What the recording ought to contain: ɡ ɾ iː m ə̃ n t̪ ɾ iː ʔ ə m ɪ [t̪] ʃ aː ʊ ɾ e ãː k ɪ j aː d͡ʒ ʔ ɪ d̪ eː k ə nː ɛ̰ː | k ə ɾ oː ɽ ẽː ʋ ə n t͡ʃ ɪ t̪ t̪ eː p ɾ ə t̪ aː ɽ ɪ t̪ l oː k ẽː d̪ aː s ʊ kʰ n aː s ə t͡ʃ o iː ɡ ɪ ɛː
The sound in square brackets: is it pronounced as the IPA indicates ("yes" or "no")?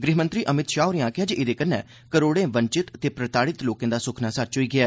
yes